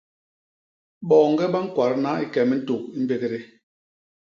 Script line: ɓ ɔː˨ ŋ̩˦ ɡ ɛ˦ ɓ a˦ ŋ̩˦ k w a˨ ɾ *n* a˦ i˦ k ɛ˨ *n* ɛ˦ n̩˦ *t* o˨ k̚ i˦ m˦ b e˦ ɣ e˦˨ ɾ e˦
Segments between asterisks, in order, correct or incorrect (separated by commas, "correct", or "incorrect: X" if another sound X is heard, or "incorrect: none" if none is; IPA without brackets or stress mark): correct, incorrect: m, correct